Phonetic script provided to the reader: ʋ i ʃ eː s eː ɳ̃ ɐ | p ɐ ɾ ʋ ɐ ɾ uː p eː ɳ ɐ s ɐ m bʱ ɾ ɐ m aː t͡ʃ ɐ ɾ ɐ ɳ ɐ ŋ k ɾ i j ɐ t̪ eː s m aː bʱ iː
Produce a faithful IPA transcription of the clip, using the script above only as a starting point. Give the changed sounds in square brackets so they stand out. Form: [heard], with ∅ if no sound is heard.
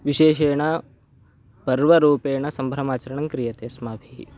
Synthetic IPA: ʋ i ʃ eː [ʃ] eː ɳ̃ ɐ | p ɐ ɾ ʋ ɐ ɾ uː p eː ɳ ɐ s ɐ m bʱ ɾ ɐ m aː t͡ʃ ɐ ɾ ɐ ɳ ɐ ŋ k ɾ i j ɐ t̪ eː s m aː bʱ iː